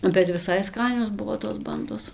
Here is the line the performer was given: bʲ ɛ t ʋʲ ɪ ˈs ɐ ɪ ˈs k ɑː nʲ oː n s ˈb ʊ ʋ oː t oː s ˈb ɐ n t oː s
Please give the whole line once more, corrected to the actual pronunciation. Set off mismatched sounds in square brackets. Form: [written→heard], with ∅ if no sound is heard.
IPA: bʲ ɛ t ʋʲ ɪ ˈs ɐ ɪ ˈs k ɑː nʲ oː [n→∅] s ˈb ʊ ʋ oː t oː s ˈb ɐ n [t→d] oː s